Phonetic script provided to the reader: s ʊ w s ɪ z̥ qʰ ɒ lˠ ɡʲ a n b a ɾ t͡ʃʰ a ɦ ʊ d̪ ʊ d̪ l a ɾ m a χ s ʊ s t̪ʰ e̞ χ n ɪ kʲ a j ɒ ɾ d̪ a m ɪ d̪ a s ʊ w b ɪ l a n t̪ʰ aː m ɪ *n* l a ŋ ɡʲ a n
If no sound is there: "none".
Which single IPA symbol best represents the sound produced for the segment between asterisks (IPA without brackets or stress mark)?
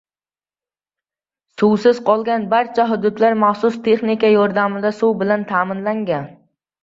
n